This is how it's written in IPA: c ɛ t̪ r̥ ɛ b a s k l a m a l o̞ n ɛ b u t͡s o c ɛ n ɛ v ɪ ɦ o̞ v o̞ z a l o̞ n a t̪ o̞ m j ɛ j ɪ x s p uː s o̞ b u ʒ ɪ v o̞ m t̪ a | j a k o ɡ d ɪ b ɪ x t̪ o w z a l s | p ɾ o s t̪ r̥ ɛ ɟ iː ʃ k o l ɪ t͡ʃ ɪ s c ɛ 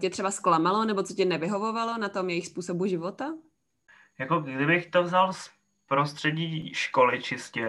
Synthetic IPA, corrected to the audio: c ɛ t̪ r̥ ɛ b a s k l a m a l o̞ n ɛ b o t͡s o c ɛ n ɛ v ɪ ɦ o̞ v o̞ v a l o̞ n a t̪ o̞ m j ɛ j ɪ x s p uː s o̞ b u ʒ ɪ v o̞ t̪ a | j a k o ɡ d ɪ b ɪ x t̪ o v z a l s | p ɾ o s t̪ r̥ ɛ ɟ iː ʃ k o l ɪ t͡ʃ ɪ s c ɛ